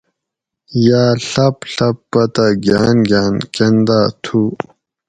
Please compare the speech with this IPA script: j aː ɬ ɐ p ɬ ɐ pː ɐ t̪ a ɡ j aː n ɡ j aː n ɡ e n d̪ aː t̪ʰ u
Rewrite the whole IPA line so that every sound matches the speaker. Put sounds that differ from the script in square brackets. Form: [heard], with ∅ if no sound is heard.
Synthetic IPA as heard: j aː ɬ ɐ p ɬ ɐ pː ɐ t̪ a ɡ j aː n ɡ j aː n [k] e n d̪ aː t̪ʰ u